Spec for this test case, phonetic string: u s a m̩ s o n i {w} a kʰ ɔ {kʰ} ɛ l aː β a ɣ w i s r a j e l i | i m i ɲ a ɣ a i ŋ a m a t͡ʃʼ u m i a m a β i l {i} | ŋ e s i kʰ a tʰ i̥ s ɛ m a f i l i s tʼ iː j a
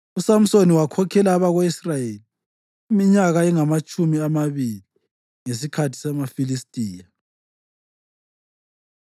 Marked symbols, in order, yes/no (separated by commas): yes, yes, yes